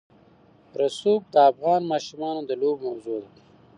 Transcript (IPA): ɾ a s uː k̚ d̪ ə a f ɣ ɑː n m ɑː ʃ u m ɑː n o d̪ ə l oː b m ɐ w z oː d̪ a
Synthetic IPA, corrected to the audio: ɾ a s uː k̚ d̪ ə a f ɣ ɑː n m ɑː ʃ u m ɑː n o d̪ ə l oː b m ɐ w z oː d̪ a